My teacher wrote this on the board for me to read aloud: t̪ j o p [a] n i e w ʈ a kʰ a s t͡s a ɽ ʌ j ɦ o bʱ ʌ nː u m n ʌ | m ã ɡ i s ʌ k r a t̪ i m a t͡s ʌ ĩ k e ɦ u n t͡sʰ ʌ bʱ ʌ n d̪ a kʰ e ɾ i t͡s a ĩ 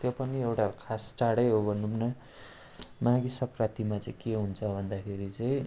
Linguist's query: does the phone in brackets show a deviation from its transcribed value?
yes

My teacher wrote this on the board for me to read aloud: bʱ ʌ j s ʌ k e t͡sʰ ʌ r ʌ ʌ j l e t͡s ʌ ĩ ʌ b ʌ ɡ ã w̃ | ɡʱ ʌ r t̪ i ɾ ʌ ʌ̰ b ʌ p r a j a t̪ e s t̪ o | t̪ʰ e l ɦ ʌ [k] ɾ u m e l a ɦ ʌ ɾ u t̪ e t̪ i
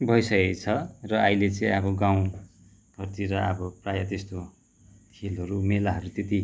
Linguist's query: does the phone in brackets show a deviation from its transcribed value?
yes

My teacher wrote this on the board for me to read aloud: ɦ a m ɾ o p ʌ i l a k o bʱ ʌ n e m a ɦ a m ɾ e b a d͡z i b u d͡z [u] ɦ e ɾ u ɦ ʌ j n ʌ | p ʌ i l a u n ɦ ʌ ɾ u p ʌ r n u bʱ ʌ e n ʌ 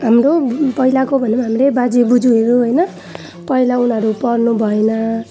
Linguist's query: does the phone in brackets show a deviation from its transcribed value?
no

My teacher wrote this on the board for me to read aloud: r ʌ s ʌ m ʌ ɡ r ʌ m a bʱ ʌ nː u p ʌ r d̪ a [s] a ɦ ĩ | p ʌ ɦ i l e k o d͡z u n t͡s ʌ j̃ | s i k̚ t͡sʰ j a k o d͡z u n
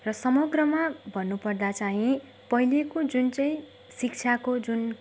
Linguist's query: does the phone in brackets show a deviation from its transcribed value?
yes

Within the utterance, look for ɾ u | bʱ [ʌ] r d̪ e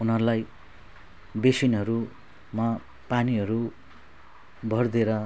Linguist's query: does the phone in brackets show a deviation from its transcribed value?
no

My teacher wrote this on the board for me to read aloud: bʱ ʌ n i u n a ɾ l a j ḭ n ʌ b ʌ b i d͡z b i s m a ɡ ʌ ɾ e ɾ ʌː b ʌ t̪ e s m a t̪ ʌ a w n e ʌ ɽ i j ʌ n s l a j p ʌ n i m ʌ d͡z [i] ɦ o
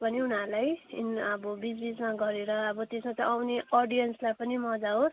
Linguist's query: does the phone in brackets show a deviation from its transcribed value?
yes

